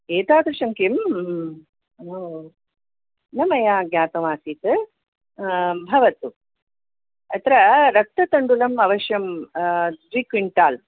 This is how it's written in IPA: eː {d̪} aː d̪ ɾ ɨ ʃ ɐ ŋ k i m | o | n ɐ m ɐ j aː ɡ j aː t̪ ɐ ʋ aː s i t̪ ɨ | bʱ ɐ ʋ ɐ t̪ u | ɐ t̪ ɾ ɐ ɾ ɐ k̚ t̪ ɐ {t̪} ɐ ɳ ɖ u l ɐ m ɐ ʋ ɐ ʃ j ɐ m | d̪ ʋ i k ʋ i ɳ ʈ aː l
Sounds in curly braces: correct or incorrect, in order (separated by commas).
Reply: incorrect, correct